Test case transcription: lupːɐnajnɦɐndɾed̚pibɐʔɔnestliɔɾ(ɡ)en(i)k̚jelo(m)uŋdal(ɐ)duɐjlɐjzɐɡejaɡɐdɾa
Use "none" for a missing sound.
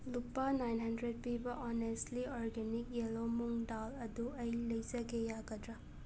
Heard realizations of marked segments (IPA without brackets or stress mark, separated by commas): ɡ, i, m, ɐ